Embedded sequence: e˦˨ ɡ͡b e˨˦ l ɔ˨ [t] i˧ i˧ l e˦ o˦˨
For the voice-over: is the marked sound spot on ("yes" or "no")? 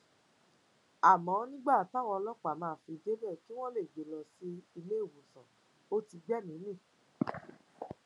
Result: no